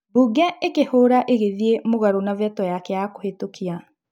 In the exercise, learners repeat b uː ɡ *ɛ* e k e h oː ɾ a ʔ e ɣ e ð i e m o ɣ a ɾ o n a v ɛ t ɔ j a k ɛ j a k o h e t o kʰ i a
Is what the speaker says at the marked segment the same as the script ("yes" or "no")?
yes